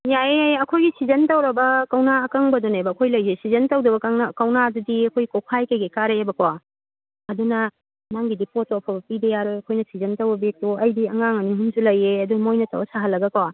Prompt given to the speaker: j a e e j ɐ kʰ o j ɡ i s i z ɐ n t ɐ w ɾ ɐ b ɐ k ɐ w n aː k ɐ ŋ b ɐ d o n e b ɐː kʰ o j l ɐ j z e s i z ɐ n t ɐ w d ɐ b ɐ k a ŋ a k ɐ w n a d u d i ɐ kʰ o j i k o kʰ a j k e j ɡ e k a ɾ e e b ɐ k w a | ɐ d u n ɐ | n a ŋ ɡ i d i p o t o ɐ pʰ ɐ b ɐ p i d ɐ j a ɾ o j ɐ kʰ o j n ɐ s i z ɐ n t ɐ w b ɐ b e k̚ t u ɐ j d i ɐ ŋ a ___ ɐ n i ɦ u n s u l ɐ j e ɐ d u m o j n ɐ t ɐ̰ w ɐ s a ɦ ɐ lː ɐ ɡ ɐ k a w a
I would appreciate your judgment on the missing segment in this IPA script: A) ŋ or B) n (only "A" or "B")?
A